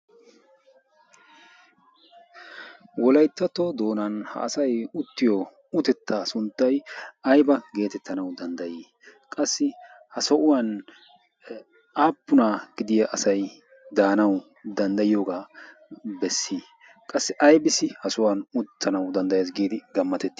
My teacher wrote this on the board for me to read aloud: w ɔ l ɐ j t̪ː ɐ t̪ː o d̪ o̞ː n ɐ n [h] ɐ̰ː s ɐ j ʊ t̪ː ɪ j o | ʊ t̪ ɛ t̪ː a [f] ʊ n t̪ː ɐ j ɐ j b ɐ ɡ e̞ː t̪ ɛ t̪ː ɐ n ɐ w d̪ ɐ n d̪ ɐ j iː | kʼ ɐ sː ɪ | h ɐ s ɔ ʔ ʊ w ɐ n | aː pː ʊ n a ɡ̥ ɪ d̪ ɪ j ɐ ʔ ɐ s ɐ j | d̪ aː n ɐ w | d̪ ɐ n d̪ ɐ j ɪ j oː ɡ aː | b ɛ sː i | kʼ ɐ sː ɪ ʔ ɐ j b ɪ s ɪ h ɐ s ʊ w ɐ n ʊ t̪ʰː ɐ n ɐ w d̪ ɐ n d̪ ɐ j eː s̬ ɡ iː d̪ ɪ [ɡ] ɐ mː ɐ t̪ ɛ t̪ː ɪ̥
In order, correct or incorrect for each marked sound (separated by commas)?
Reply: correct, incorrect, correct